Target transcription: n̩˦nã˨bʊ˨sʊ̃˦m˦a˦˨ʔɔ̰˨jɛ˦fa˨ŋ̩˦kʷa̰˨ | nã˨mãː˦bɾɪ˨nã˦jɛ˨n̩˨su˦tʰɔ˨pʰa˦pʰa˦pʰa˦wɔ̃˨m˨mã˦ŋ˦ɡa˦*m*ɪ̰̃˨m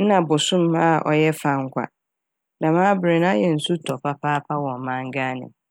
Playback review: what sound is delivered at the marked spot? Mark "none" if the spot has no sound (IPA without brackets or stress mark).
n